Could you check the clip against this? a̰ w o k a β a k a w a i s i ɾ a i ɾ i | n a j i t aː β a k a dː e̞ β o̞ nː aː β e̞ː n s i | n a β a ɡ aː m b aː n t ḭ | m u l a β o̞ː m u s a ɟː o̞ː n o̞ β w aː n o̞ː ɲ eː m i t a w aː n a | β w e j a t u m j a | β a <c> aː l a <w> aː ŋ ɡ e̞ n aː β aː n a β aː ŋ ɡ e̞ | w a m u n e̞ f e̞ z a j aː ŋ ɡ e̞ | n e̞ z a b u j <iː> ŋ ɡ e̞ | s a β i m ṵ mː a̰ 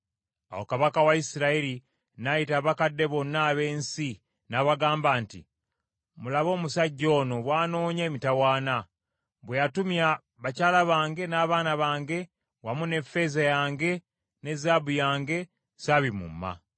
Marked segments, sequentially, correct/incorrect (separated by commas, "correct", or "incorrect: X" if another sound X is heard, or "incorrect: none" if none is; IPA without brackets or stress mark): correct, incorrect: β, incorrect: aː